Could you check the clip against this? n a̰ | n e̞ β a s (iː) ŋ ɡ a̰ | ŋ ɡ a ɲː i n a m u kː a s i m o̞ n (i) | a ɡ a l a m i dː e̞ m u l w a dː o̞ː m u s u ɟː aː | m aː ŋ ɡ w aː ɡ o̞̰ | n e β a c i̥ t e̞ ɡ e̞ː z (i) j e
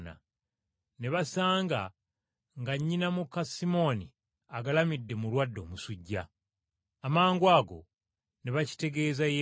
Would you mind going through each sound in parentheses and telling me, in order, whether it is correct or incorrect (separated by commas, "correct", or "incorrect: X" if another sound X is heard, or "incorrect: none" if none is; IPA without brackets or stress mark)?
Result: incorrect: aː, correct, incorrect: a